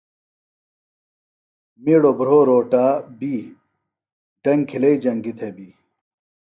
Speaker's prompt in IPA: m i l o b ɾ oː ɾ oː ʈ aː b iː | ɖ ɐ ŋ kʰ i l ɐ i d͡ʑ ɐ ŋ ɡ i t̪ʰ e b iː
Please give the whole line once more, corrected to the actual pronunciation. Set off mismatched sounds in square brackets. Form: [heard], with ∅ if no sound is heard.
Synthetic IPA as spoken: m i [ɽ] o b ɾ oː ɾ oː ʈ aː b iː | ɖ ɐ ŋ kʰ i l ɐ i d͡ʑ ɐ ŋ ɡ i t̪ʰ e b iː